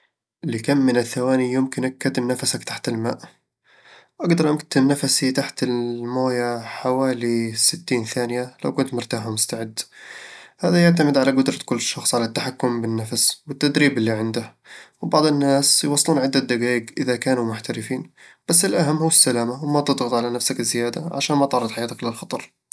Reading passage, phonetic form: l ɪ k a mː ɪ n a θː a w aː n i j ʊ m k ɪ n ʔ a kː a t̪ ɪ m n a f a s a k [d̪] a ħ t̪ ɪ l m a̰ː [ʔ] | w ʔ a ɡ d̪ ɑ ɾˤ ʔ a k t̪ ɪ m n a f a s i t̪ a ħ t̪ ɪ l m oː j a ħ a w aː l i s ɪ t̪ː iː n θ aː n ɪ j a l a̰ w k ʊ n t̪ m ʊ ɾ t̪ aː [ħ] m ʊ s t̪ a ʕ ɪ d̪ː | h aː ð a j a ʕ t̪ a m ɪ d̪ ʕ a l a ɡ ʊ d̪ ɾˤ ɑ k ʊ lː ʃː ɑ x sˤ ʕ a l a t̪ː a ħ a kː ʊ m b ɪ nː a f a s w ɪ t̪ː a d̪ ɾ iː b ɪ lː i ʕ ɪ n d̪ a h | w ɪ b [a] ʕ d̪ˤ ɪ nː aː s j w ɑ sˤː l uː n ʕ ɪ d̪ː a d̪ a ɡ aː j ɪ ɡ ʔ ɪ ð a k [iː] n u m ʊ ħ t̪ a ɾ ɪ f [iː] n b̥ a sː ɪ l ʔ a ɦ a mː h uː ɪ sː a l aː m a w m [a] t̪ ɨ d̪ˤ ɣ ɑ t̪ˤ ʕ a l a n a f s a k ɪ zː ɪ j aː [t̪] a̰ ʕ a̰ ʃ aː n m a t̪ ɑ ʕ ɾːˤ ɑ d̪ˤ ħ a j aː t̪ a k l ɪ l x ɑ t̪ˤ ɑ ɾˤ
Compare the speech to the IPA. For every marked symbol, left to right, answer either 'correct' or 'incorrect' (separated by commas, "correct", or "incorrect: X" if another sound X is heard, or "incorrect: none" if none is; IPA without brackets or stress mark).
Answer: incorrect: t̪, correct, correct, incorrect: ɑ, incorrect: aː, correct, correct, incorrect: d̪